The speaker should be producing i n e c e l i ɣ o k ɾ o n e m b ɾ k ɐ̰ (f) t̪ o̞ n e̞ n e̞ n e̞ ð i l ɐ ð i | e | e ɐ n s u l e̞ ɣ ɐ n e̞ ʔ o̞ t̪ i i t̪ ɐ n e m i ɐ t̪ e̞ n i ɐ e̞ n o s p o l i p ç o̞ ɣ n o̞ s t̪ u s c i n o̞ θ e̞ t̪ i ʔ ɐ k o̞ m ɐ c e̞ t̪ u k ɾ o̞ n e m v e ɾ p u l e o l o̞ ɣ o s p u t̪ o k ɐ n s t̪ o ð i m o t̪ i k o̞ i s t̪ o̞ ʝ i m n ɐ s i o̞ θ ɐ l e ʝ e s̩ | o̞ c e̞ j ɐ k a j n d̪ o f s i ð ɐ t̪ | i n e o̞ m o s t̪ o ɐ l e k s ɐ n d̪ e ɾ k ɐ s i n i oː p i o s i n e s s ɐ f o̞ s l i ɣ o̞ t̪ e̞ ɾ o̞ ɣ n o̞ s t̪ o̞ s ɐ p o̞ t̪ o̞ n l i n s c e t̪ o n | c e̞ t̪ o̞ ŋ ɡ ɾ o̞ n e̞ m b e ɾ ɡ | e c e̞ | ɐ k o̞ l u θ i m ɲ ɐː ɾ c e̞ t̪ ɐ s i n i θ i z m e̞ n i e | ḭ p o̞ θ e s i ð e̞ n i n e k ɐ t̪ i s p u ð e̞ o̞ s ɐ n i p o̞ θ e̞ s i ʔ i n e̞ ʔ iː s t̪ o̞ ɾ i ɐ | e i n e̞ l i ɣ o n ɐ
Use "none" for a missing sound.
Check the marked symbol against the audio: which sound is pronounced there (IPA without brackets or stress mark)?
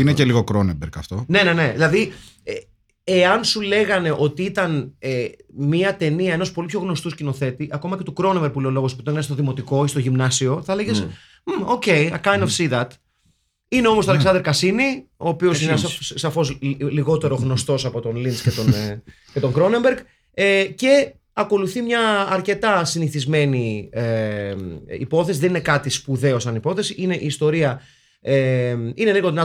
f